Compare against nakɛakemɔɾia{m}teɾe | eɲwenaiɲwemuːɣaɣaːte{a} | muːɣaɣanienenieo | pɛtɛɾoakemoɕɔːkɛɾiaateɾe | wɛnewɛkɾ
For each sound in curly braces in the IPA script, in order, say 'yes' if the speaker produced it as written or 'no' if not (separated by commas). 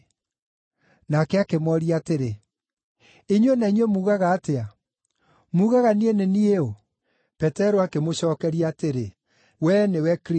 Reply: no, yes